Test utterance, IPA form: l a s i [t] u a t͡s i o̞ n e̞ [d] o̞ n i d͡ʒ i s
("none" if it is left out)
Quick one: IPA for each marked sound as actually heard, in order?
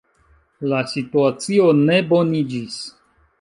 t, b

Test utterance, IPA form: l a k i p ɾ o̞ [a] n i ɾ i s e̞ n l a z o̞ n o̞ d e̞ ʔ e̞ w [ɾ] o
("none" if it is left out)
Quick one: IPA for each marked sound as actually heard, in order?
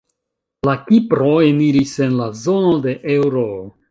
e, ɾ

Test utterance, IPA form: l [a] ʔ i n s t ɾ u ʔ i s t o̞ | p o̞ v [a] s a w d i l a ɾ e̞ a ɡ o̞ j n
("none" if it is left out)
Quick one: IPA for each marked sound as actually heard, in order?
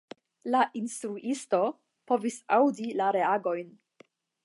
a, i

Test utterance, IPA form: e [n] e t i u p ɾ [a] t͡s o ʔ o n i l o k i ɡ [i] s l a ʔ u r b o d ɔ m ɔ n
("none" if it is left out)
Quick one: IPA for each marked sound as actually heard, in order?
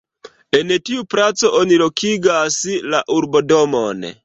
n, a, a

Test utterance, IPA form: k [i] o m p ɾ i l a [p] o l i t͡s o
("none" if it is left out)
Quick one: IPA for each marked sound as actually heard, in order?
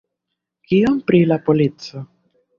i, p

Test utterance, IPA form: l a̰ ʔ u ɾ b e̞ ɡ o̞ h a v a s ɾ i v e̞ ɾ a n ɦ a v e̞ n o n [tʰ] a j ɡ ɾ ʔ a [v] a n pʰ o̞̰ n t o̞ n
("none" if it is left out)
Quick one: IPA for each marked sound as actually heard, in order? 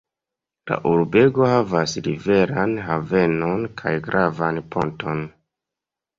kʰ, v

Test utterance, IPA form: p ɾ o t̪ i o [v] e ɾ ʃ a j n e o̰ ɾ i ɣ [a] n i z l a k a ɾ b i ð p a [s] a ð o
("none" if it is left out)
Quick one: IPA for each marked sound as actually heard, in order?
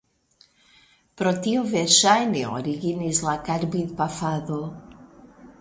v, i, f

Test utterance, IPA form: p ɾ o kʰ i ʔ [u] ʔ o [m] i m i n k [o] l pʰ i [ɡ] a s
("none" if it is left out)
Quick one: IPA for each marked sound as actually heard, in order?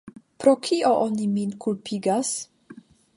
o, n, u, ɡ

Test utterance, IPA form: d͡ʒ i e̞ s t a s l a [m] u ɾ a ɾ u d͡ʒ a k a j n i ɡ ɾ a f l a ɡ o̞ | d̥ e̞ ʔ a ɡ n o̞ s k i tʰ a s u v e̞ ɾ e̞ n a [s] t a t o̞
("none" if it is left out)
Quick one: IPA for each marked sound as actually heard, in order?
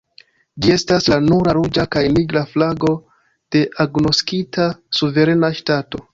n, ʃ

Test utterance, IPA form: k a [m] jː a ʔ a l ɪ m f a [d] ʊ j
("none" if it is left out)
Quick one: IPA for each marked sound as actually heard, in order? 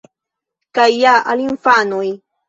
none, n

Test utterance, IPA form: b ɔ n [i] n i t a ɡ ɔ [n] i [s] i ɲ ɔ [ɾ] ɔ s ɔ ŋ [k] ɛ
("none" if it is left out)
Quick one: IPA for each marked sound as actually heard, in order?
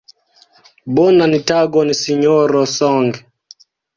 a, n, s, ɾ, ɡ

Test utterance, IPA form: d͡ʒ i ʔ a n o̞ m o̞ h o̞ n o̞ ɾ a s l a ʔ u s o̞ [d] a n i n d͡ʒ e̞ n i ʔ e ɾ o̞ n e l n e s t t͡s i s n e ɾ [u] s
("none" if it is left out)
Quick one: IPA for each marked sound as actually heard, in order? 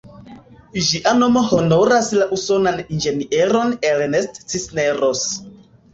n, o

